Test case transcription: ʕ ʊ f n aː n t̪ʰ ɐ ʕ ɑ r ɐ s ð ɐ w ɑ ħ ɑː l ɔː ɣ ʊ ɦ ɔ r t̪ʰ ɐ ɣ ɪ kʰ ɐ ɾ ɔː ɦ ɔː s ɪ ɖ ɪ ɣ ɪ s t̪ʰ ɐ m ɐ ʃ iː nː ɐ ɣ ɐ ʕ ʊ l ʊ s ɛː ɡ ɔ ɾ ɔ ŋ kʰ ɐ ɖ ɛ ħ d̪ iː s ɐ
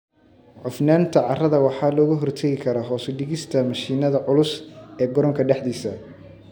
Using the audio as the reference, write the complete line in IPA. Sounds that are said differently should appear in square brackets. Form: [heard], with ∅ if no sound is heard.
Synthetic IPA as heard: ʕ ʊ f n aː n t̪ʰ ɐ ʕ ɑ r ɐ [∅] ð ɐ w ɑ ħ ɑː l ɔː ɣ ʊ ɦ ɔ r t̪ʰ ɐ ɣ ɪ kʰ ɐ ɾ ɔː ɦ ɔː s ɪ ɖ ɪ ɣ ɪ s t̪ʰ ɐ m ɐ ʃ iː [n] ɐ [ð] ɐ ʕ ʊ l ʊ s ɛː ɡ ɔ ɾ ɔ ŋ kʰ ɐ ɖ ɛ ħ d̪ iː s ɐ